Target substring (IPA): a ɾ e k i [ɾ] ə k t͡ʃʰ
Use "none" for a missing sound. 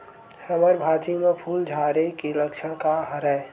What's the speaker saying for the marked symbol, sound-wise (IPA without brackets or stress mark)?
l